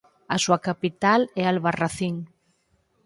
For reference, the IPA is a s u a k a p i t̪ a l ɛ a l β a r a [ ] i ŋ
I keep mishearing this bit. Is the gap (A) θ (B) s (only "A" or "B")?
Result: A